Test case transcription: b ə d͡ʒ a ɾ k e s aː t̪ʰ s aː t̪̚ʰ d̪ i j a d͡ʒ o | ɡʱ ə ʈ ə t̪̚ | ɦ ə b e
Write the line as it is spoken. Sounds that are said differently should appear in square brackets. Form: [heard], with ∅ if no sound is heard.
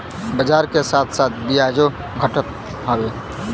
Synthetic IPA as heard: b ə d͡ʒ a ɾ k e s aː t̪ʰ s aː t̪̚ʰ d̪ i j a d͡ʒ o | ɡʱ ə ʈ ə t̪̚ | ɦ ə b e